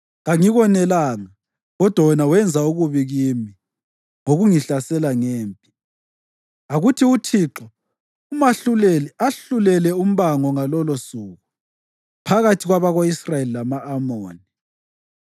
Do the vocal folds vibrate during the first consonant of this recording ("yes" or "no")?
yes